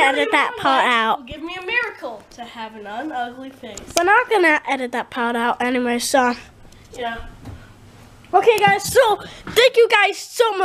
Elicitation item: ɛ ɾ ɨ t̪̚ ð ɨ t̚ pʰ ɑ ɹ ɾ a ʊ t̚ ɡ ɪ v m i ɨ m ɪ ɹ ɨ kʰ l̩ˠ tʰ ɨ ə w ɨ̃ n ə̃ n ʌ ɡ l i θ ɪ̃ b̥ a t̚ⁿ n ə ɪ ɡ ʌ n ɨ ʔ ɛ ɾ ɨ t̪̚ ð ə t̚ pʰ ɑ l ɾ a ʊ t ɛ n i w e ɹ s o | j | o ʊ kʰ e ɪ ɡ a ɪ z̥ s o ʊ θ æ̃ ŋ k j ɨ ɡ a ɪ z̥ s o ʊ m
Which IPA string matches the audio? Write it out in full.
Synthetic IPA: ɛ ɾ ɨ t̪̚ ð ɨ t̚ pʰ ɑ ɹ ɾ a ʊ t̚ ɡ ɪ v m i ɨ m ɪ ɹ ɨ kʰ l̩ˠ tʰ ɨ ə v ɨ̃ n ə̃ n ʌ ɡ l i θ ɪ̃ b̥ ʌ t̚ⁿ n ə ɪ ɡ ʌ n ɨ ʔ ɛ ɾ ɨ t̪̚ ð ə t̚ pʰ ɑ ɹ ɾ a ʊ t ɛ n i w e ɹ s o | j | o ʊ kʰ e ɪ ɡ a ɪ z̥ s o ʊ θ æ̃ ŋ k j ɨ ɡ a ɪ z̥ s o ʊ m